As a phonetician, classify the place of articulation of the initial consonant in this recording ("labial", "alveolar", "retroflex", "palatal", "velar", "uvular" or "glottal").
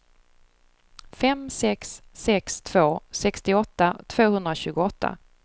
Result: labial